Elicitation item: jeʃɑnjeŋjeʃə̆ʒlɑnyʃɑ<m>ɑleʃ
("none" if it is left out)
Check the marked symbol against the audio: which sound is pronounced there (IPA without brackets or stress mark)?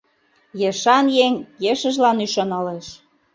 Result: n